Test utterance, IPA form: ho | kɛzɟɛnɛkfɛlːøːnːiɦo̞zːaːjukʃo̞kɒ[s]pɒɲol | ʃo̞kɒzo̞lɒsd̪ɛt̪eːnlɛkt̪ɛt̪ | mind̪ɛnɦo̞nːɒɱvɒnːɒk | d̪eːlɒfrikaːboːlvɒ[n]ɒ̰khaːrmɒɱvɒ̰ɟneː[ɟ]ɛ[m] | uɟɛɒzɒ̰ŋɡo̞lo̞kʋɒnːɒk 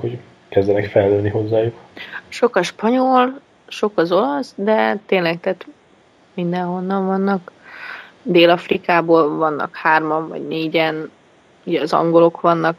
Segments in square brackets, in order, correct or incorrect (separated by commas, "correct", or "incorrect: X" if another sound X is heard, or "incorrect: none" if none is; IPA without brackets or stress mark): incorrect: ʃ, incorrect: nː, correct, incorrect: n